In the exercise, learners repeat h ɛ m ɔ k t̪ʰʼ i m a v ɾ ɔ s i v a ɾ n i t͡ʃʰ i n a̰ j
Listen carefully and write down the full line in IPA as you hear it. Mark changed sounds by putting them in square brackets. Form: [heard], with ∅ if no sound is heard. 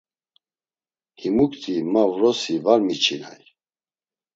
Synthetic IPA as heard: h [i] m [u] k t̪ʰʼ i m a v ɾ ɔ s i v a ɾ [m] i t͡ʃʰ i n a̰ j